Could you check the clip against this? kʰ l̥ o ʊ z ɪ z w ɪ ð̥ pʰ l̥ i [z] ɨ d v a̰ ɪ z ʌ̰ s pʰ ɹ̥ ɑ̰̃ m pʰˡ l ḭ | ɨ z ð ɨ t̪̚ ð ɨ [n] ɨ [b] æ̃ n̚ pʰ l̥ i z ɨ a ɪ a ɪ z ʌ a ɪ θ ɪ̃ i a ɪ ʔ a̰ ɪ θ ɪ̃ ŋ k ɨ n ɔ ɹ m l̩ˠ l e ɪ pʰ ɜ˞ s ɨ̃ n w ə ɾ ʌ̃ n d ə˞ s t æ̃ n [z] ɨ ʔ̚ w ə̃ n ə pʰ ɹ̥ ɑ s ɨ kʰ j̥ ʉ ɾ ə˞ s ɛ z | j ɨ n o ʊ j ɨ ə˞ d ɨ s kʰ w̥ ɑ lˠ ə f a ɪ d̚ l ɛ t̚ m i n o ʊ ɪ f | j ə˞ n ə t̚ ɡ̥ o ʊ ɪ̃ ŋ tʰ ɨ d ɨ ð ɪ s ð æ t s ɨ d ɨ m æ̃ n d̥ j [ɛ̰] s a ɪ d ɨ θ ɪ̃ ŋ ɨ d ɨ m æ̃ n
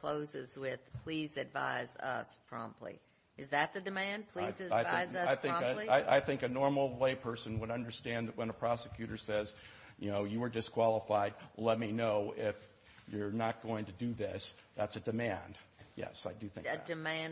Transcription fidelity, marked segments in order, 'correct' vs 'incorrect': correct, incorrect: d, incorrect: m, incorrect: ð, correct

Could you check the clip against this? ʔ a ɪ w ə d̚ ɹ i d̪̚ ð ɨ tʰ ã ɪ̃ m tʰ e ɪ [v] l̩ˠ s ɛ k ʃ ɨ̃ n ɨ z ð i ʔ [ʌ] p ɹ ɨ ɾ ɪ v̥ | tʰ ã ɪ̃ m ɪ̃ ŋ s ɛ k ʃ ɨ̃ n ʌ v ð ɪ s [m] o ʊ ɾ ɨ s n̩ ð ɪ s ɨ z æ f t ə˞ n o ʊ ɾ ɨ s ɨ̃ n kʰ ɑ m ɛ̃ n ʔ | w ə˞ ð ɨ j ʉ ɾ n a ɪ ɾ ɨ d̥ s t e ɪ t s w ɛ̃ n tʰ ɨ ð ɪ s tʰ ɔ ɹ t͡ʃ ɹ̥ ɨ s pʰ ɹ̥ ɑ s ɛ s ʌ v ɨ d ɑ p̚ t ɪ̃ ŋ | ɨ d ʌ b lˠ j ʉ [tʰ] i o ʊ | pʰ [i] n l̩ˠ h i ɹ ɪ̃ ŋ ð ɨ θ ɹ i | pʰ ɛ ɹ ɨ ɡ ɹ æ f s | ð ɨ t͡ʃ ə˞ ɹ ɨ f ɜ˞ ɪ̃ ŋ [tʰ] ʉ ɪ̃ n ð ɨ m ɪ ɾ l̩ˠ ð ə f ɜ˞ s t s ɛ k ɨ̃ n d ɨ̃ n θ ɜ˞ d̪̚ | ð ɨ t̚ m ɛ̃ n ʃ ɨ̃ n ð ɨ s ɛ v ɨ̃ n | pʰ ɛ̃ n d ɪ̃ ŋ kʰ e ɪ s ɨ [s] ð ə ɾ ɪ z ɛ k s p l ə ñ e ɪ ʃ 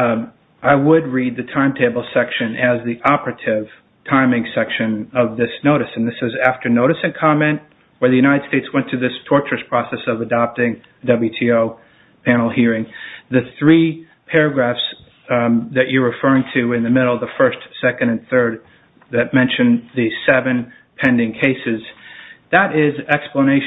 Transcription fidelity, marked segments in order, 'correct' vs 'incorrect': incorrect: b, incorrect: ɑ, incorrect: n, correct, incorrect: æ, correct, incorrect: z

